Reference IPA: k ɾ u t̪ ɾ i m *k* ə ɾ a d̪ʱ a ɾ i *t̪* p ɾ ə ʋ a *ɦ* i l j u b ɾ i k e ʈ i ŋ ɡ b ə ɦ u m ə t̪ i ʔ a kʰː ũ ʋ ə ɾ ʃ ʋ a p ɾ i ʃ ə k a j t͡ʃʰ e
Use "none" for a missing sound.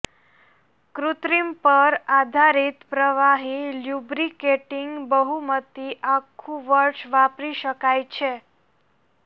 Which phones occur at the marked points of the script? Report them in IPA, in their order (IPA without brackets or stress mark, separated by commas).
p, t̪, ɦ